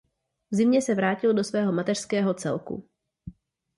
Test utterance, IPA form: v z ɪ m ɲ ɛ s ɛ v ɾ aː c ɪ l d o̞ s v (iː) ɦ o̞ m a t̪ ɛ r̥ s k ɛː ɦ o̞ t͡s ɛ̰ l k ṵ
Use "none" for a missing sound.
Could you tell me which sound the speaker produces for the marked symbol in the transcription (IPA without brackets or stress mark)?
ɛː